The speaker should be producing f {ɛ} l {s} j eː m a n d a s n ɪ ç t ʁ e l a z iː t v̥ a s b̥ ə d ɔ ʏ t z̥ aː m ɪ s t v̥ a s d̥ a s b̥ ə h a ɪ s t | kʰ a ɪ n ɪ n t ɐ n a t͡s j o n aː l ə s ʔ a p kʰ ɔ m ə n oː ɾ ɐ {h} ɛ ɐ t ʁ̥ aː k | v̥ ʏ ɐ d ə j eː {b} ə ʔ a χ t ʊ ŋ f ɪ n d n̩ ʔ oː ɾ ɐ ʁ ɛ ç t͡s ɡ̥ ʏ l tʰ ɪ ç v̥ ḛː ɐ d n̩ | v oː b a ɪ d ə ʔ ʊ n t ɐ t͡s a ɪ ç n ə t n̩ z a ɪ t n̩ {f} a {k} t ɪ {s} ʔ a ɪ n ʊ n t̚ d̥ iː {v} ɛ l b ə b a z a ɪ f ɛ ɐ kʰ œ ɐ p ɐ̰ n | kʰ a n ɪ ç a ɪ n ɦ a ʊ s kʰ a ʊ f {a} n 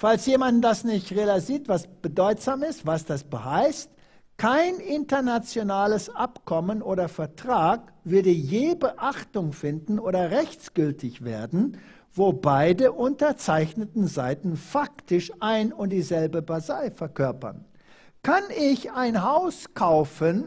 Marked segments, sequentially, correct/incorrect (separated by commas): incorrect, correct, incorrect, correct, correct, correct, incorrect, incorrect, incorrect